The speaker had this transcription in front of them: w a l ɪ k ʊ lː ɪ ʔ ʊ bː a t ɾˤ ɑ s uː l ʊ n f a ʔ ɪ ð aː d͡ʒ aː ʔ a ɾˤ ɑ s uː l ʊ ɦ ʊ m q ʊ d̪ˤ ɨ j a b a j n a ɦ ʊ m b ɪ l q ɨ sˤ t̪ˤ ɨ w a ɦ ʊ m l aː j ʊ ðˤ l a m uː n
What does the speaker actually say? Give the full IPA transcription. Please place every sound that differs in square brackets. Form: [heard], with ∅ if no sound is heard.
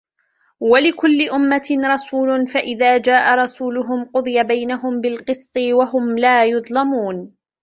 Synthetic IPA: w a l ɪ k ʊ lː ɪ ʔ ʊ [mː] a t ɾˤ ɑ s uː l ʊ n f a ʔ ɪ ð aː d͡ʒ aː ʔ a ɾˤ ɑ s uː l ʊ ɦ ʊ m q ʊ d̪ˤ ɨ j a b a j n a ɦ ʊ m b ɪ l q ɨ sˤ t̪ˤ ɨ w a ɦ ʊ m l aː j ʊ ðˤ l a m uː n